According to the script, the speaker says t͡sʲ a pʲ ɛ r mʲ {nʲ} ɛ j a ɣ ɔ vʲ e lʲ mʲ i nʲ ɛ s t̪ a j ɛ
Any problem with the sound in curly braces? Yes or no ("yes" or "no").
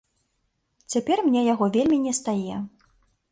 no